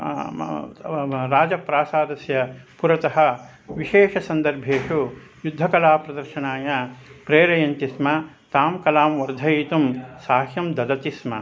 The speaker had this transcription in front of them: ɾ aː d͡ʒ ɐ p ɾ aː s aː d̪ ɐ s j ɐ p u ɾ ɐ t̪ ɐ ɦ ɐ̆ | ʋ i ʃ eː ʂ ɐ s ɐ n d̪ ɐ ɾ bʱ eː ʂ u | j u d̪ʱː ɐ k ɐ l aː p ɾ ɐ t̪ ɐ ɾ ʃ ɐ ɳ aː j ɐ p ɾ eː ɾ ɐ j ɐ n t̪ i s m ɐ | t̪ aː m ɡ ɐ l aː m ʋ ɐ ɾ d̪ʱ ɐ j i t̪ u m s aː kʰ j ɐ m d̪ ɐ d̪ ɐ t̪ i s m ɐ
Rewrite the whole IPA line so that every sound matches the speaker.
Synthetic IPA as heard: ɾ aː d͡ʒ ɐ p ɾ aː s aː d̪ ɐ s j ɐ p u ɾ ɐ t̪ ɐ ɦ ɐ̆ | ʋ i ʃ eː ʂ ɐ s ɐ n d̪ ɐ ɾ bʱ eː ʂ u | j u d̪ʱː ɐ k ɐ l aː p ɾ ɐ d̪ ɐ ɾ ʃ ɐ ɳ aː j ɐ p ɾ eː ɾ ɐ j ɐ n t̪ i s m ɐ | t̪ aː m k ɐ l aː m ʋ ɐ ɾ d̪ʱ ɐ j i t̪ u m s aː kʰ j ɐ m d̪ ɐ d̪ ɐ t̪ i s m ɐ